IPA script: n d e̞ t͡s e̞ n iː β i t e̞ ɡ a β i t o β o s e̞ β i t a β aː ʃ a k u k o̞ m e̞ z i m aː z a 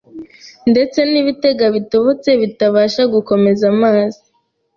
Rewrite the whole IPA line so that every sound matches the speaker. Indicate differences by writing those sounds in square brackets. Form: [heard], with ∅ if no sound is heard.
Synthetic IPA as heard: n d e̞ t͡s e̞ n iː β i t e̞ ɡ a β i t o β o [t͡s] e̞ β i t a β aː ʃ a [ɡ] u k o̞ m e̞ z [a] m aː z [i]